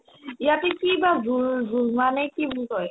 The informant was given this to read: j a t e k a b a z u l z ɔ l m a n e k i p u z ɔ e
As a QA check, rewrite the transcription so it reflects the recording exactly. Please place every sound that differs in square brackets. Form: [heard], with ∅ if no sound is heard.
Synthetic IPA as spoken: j a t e k [i] b a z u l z [u] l m a n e k i [b] u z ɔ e